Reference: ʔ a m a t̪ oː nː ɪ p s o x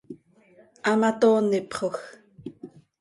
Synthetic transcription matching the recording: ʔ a m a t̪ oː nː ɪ p χ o x